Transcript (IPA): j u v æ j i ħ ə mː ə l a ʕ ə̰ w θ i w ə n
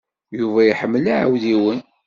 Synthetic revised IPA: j u v æ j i ħ ə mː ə l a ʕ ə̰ w ð i w ə n